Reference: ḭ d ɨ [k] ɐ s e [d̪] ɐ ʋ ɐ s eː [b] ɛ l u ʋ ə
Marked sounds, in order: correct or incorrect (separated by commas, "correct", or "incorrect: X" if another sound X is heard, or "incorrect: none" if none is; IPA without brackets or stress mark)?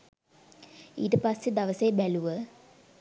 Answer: incorrect: p, correct, correct